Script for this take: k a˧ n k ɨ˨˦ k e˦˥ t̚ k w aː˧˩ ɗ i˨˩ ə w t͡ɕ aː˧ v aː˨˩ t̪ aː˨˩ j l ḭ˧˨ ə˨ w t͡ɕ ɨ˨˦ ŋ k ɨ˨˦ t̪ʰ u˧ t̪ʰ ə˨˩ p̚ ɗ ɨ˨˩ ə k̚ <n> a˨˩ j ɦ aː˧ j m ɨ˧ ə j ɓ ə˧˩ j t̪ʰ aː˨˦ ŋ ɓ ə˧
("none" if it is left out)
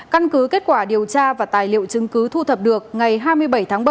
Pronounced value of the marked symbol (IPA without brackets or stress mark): ŋ